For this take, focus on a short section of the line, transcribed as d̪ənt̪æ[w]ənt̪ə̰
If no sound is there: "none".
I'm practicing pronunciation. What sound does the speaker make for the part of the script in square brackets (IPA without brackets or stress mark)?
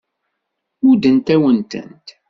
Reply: w